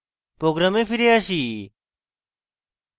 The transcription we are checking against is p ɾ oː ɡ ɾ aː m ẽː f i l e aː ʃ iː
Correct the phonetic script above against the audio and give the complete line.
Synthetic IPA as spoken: p ɾ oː ɡ ɾ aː m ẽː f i ɾ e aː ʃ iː